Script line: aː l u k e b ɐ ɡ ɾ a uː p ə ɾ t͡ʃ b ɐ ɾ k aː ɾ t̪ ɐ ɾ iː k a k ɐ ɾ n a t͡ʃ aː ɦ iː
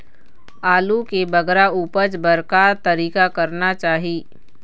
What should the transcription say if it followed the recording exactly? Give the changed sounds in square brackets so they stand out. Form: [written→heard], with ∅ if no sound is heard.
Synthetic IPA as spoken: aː l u k e b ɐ ɡ ɾ a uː p ə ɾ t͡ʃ b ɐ ɾ k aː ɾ t̪ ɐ ɾ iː k a k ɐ ɾ n a t͡ʃ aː ɦ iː